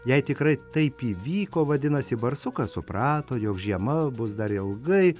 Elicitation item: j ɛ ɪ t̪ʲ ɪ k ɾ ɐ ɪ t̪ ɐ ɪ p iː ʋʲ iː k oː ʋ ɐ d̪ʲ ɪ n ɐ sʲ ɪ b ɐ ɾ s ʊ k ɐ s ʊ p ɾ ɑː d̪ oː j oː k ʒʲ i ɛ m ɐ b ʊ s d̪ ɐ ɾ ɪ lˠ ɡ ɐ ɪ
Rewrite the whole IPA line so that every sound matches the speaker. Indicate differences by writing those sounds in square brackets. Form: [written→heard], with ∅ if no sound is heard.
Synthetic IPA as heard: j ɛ ɪ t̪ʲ ɪ k ɾ ɐ ɪ t̪ ɐ ɪ p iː ʋʲ iː k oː ʋ ɐ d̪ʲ ɪ n ɐ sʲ ɪ b ɐ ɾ s ʊ k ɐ s ʊ p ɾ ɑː [d̪→t̪] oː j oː k ʒʲ i ɛ m ɐ b ʊ s d̪ ɐ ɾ ɪ lˠ ɡ ɐ ɪ